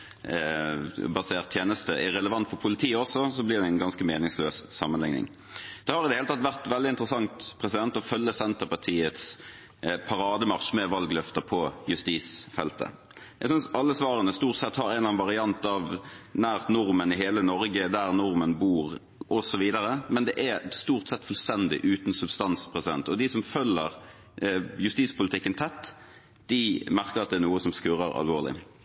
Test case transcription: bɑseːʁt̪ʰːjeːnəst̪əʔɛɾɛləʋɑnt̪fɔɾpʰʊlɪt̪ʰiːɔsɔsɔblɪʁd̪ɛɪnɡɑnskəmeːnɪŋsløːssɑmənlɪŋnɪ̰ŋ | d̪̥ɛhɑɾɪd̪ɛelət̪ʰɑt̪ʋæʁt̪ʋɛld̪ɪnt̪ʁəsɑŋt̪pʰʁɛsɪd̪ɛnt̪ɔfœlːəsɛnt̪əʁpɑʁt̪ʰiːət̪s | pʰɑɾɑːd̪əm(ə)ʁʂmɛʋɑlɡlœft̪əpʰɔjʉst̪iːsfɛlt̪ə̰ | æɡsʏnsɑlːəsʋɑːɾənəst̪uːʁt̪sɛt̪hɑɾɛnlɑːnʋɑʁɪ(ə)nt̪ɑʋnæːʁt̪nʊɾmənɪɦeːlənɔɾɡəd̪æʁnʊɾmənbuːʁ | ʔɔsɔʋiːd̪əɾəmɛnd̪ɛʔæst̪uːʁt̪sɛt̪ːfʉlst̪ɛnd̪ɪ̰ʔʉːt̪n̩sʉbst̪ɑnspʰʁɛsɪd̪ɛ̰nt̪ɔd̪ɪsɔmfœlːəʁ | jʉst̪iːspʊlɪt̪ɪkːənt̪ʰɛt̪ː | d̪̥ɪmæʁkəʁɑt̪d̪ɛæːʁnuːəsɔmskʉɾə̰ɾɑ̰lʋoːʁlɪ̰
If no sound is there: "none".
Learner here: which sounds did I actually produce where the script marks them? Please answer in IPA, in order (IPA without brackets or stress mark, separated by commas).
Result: ɑ, ɑ